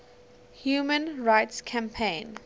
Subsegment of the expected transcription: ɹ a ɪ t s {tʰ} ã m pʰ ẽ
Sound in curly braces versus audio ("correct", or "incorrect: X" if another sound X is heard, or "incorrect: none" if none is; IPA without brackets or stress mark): incorrect: kʰ